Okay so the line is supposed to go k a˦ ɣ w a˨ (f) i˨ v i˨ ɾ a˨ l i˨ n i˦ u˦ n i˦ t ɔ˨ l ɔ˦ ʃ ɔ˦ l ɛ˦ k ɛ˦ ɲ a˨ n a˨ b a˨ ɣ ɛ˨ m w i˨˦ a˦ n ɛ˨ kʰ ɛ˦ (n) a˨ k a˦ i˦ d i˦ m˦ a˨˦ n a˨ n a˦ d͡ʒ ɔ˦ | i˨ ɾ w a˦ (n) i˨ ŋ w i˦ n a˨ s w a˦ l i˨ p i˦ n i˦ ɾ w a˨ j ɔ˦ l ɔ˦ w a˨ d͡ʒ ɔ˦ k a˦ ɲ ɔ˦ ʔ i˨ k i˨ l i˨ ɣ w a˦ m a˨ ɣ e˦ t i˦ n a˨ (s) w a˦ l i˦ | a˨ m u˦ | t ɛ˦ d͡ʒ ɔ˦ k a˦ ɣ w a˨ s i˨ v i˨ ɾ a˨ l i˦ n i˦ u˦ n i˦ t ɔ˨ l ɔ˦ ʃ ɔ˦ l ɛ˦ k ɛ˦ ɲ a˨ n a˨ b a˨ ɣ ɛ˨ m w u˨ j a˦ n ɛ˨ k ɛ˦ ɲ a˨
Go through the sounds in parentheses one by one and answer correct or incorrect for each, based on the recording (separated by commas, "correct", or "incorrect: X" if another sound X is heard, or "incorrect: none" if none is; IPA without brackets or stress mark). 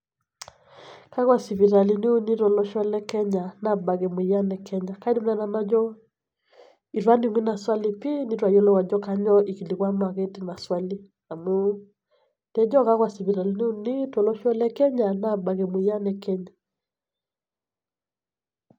incorrect: s, incorrect: ɲ, correct, correct